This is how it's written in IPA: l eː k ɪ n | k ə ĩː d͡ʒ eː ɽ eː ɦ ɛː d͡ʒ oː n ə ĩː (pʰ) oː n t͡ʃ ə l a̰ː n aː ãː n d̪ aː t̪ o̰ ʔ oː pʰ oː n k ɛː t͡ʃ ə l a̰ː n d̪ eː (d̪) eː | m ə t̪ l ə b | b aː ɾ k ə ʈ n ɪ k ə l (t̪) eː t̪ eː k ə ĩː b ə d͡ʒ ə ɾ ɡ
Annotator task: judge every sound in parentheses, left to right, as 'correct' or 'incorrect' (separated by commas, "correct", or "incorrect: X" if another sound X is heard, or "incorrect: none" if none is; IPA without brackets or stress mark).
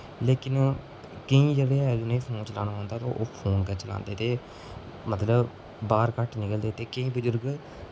correct, incorrect: t̪, incorrect: d̪